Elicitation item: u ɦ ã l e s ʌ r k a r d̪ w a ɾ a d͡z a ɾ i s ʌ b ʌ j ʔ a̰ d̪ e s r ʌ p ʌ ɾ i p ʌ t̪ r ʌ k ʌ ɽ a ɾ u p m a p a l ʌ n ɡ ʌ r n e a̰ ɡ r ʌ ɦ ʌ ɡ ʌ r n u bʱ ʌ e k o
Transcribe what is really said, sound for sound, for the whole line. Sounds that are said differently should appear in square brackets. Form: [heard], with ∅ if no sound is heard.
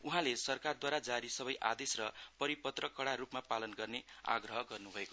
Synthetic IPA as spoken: u ɦ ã l e s ʌ r k a r d̪ w a ɾ a d͡z a ɾ i s ʌ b ʌ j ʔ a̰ d̪ e s r ʌ p ʌ ɾ i p ʌ t̪ r ʌ k ʌ ɽ a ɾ u p m a p a l ʌ n ɡ ʌ r n e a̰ ɡ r ʌ ɦ ʌ ɡ ʌ r n u bʱ ʌ e k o